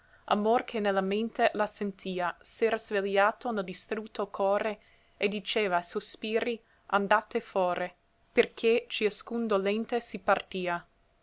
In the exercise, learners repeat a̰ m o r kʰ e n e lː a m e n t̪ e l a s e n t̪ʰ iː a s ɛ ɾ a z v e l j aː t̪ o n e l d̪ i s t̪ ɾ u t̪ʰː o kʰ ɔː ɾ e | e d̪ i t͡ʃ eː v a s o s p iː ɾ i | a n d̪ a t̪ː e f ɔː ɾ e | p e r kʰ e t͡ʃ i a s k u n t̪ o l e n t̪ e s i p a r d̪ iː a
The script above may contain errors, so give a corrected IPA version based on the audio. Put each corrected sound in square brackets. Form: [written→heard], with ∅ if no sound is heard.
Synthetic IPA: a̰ m o r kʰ e n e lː a m e n t̪ e l a s e n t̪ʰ iː a s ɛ ɾ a z v e l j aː t̪ o n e l d̪ i s t̪ ɾ u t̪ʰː o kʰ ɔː ɾ e | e d̪ i t͡ʃ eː v a s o s p iː ɾ i | a n d̪ a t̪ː e f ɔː ɾ e | p e r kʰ e t͡ʃ i a s k u n [t̪→d̪] o l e n t̪ e s i p a r [d̪→t̪] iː a